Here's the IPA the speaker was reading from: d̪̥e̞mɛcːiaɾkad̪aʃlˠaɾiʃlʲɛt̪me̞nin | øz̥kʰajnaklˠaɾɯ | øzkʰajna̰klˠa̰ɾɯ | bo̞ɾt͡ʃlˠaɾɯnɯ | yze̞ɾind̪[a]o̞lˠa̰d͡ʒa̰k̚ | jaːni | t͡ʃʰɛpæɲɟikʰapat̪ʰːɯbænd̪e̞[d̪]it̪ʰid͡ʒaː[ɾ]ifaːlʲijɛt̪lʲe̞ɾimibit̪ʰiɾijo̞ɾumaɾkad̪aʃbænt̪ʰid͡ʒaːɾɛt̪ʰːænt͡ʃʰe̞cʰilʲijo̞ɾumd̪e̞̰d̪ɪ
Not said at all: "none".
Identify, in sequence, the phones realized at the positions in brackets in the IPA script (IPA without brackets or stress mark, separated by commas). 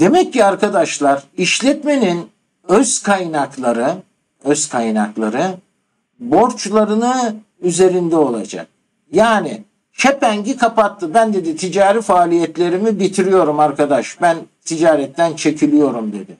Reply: ɛ, d̪, ɾ